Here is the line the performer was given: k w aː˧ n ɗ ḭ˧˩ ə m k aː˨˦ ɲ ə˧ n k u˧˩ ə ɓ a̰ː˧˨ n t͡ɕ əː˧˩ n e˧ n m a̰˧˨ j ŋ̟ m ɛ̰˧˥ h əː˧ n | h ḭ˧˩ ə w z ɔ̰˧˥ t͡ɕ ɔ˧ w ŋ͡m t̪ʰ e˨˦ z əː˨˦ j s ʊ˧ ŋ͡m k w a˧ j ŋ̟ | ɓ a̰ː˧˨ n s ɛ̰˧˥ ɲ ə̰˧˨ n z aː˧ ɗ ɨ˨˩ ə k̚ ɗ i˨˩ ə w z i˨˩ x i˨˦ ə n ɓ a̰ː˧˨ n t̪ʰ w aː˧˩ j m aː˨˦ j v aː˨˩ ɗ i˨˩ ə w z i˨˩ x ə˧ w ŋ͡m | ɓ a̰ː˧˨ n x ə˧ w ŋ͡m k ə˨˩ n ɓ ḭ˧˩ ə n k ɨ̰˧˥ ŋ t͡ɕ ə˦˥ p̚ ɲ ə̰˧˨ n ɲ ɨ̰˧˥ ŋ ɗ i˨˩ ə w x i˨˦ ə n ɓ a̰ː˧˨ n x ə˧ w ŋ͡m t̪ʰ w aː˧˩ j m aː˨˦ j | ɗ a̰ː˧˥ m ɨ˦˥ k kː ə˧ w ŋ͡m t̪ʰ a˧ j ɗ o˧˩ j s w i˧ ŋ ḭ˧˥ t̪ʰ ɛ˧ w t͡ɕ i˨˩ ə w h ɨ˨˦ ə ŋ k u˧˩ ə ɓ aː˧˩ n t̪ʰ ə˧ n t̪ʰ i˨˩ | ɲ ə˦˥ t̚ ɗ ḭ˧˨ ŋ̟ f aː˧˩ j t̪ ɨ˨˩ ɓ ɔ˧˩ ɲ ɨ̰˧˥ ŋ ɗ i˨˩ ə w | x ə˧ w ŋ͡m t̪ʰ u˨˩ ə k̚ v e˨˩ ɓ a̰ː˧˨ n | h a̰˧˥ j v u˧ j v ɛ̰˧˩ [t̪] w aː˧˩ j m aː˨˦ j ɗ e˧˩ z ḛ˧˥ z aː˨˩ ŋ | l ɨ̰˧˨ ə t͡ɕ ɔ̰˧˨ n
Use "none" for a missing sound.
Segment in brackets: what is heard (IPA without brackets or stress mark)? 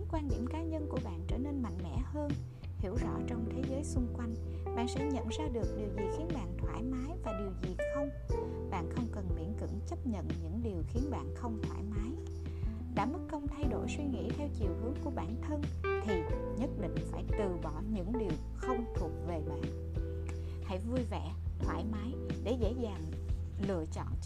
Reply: t̪ʰ